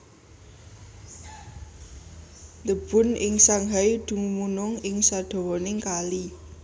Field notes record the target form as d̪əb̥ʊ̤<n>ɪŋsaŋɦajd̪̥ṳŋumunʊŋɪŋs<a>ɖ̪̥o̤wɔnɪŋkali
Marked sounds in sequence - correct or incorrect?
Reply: correct, correct

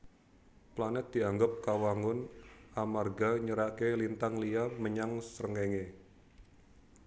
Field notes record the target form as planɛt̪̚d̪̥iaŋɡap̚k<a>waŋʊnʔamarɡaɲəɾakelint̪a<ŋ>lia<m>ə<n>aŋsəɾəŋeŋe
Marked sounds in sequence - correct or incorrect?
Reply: correct, correct, correct, incorrect: ɲ

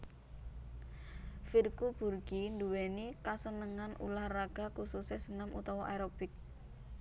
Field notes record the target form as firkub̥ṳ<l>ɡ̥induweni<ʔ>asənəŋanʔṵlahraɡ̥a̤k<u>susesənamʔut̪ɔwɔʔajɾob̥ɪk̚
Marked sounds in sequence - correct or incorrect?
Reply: incorrect: r, incorrect: k, correct

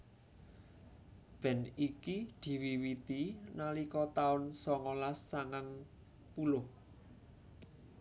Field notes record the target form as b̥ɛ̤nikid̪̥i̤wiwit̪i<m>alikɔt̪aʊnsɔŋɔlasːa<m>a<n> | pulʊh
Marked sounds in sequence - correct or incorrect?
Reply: incorrect: n, incorrect: ŋ, incorrect: ŋ

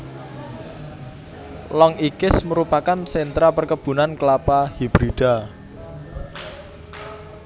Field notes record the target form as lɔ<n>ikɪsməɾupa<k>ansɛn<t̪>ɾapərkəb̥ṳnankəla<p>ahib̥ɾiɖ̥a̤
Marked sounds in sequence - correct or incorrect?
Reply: incorrect: ŋ, correct, correct, correct

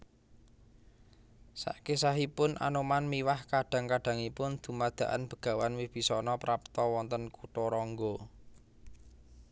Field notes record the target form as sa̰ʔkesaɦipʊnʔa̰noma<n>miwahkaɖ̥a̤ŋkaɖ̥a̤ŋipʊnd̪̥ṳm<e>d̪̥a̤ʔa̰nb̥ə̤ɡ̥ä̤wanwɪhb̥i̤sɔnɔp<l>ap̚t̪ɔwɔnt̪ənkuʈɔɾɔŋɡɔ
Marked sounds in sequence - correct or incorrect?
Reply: correct, incorrect: a, incorrect: ɾ

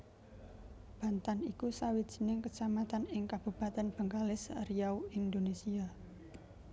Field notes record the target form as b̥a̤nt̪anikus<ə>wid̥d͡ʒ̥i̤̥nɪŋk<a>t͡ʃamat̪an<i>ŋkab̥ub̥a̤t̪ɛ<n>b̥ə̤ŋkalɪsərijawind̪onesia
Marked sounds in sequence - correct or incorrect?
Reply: incorrect: a, incorrect: ə, incorrect: ɪ, correct

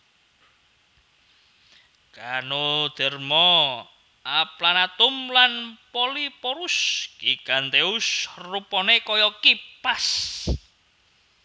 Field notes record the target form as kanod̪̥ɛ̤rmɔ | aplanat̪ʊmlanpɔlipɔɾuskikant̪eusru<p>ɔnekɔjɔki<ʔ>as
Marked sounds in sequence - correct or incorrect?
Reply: correct, incorrect: p

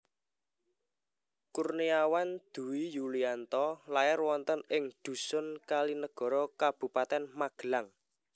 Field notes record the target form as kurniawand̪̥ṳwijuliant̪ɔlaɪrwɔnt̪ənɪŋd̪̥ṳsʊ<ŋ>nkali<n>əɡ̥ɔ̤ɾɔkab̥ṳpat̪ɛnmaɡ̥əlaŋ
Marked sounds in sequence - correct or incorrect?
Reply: incorrect: none, correct

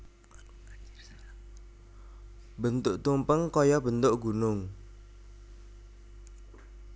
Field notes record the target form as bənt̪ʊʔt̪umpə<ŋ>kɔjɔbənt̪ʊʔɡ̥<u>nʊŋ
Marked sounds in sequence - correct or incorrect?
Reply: correct, correct

